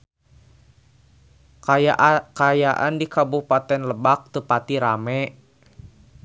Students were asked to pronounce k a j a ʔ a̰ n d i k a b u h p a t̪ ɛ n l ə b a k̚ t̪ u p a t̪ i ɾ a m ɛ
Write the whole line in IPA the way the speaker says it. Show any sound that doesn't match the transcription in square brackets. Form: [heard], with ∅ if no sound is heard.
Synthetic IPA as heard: k a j a ʔ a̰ n d i k a b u h p a t̪ ɛ n l ə b a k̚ t̪ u p a t̪ i ɾ a m ɛ